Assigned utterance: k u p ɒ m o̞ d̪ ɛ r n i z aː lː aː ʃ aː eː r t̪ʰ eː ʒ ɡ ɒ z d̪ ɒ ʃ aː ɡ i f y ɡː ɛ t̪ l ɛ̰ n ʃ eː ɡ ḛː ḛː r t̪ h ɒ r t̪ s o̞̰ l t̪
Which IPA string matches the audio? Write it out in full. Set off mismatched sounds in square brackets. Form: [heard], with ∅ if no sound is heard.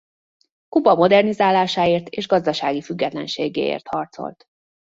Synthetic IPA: k u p ɒ m o̞ d̪ ɛ r n i z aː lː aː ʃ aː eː r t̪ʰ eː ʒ ɡ ɒ z d̪ ɒ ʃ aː ɡ i f y ɡː ɛ t̪ l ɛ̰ n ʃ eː ɡ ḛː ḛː r t̪ h ɒ r t̪ s o̞̰ l t̪